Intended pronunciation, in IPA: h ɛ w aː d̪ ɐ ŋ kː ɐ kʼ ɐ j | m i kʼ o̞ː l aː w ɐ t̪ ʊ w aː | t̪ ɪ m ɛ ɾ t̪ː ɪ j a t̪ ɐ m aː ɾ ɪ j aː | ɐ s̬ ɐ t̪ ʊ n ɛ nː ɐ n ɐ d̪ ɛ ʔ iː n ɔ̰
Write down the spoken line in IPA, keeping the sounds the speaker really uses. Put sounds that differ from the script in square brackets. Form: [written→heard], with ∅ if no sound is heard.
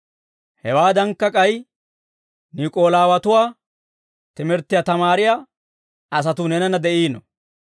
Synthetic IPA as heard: h ɛ w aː d̪ ɐ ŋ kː ɐ kʼ ɐ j | [m→n] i kʼ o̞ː l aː w ɐ t̪ ʊ w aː | t̪ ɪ m ɛ ɾ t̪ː ɪ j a t̪ ɐ m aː ɾ ɪ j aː | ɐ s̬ ɐ t̪ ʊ n ɛ [nː→n] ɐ n ɐ d̪ ɛ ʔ iː n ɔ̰